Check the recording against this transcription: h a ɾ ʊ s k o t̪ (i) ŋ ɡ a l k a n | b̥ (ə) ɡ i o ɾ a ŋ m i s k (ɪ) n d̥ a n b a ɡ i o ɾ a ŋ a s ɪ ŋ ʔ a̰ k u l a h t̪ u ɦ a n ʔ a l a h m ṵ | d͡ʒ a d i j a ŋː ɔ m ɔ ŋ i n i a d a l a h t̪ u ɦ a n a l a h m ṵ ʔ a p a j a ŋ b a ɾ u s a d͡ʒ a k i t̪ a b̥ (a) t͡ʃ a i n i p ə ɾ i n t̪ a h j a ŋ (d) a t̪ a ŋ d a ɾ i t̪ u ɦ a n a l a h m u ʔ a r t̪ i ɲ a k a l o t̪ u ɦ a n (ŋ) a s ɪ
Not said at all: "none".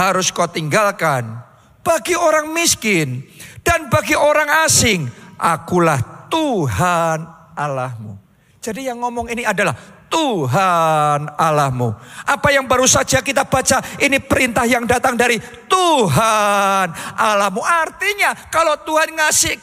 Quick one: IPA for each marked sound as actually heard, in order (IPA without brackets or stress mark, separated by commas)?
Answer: i, a, ɪ, a, d, ŋ